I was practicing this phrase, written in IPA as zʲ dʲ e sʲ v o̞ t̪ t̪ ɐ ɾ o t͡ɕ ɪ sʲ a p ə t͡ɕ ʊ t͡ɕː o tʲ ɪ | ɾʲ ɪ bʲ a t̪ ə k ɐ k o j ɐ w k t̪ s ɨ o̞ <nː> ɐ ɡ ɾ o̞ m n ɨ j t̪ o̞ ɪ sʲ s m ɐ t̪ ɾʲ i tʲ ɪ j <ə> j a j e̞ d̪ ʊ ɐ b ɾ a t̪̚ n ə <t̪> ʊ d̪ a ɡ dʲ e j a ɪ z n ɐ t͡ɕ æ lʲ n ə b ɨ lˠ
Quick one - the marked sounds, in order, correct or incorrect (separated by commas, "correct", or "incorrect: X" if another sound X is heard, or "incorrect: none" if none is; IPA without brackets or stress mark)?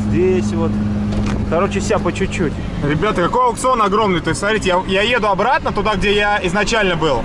incorrect: n, incorrect: a, correct